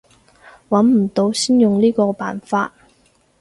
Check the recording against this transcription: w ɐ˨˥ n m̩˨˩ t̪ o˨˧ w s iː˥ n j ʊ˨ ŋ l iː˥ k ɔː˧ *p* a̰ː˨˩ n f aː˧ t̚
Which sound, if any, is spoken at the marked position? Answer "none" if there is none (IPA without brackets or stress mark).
p